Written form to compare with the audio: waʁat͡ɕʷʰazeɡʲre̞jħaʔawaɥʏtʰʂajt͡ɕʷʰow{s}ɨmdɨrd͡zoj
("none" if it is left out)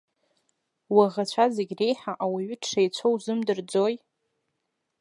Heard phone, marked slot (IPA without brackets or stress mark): z